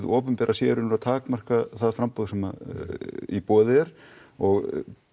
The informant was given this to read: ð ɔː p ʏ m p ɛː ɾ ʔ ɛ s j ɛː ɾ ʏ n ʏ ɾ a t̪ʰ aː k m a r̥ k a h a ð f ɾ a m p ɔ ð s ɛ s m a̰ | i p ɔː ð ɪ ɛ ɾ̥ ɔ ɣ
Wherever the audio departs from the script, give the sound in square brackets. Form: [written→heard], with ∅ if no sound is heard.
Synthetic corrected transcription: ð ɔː p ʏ m p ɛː ɾ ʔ [ɛ→a] s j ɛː ɾ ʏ n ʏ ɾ a t̪ʰ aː k m a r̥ k a [h→θ] a ð f ɾ a m p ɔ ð s ɛ [s→∅] m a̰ | i p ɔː ð ɪ ɛ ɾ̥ ɔ ɣ